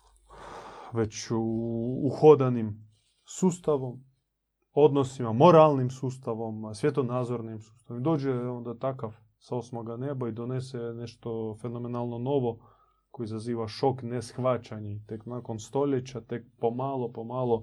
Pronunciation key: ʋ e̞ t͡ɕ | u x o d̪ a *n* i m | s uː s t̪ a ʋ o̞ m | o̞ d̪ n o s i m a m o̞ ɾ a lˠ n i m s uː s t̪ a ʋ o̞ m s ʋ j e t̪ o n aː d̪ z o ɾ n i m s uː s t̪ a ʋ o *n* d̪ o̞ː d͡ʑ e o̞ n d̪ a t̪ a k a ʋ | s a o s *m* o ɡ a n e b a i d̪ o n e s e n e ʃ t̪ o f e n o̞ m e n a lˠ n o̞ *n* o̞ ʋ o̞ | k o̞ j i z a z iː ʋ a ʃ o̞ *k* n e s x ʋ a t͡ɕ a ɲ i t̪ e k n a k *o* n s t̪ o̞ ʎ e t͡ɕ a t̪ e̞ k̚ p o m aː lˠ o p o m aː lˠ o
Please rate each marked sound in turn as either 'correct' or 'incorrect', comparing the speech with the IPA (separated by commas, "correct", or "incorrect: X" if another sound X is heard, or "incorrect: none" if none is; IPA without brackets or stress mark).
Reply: correct, incorrect: m, correct, correct, correct, correct